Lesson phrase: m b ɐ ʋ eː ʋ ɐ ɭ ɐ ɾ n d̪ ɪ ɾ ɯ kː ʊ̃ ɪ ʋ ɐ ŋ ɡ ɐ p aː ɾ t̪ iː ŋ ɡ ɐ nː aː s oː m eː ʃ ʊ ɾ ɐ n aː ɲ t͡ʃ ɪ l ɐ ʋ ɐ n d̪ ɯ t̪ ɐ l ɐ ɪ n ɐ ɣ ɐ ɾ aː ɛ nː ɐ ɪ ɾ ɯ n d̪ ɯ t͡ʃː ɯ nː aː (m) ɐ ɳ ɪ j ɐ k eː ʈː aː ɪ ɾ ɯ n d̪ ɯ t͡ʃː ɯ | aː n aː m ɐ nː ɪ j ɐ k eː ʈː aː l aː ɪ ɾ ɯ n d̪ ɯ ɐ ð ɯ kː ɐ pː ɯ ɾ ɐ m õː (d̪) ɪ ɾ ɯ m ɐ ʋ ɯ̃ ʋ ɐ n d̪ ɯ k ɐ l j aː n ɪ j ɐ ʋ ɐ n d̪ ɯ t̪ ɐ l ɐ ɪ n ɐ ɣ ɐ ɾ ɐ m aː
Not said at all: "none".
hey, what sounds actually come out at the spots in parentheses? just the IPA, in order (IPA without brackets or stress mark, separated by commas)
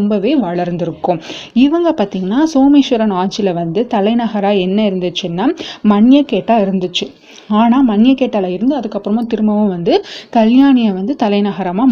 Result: m, t̪